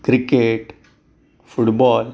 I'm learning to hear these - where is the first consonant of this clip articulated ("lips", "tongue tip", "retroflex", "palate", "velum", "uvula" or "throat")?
velum